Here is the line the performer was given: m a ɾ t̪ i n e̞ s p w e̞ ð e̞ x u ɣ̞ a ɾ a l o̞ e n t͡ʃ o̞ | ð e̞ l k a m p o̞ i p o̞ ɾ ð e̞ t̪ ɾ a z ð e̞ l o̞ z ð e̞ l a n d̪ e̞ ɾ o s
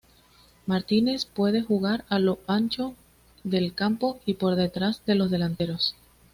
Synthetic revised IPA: m a ɾ t̪ i n e̞ s p w e̞ ð e̞ x u ɣ̞ a ɾ a l o̞ a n t͡ʃ o̞ | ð e̞ l k a m p o̞ i p o̞ ɾ ð e̞ t̪ ɾ a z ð e̞ l o̞ z ð e̞ l a n t̪ e̞ ɾ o s